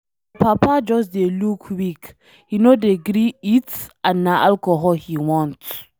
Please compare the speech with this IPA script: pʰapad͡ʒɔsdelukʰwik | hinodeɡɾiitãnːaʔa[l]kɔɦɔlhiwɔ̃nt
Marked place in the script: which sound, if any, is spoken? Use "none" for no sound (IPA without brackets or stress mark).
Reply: l